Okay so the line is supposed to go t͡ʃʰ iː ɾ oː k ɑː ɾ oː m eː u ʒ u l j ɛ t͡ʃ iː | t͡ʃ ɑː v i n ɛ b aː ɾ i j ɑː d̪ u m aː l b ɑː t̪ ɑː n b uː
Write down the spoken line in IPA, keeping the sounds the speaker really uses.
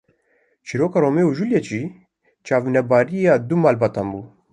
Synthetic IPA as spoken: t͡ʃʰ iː ɾ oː k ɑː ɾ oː m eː u ʒ u l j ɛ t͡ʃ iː | t͡ʃ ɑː v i n ɛ b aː ɾ i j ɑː d̪ u m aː l b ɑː t̪ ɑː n b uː